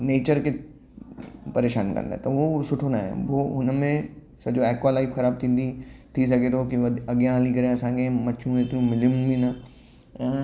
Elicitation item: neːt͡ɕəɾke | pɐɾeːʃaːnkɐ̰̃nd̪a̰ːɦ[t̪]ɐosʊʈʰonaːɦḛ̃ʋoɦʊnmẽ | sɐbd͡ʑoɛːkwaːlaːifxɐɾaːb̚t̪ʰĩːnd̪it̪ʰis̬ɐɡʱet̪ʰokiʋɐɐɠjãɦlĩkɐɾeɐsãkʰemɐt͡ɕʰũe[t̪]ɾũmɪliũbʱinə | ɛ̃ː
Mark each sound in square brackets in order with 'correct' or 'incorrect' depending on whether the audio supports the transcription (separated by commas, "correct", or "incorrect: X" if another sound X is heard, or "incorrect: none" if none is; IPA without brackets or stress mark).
correct, correct